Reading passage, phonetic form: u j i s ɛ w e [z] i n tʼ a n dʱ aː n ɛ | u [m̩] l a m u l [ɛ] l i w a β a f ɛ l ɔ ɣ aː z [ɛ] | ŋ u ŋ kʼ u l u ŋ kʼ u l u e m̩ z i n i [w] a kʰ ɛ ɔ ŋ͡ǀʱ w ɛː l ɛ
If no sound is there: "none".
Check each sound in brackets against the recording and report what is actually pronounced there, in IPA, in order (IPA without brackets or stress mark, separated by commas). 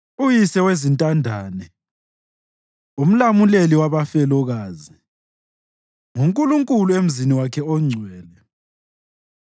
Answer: z, m̩, e, i, w